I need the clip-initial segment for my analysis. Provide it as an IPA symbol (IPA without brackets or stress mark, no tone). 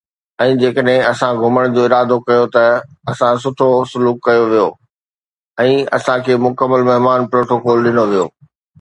ɛ̃ː